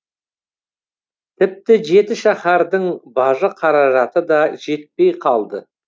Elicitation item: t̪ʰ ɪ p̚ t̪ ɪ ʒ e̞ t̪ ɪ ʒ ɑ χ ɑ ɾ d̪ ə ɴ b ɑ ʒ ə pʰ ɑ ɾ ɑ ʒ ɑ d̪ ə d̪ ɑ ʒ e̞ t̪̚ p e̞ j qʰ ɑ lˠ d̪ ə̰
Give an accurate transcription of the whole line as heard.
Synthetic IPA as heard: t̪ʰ ɪ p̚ t̪ ɪ ʒ e̞ t̪ ɪ ʃ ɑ χ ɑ ɾ d̪ ə ɴ b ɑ ʒ ə qʰ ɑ ɾ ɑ ʒ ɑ t̪ ə d̪ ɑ ʒ e̞ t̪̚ p e̞ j qʰ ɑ lˠ d̪ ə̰